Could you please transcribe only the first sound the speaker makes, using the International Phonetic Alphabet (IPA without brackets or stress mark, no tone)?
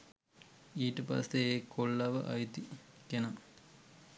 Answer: iː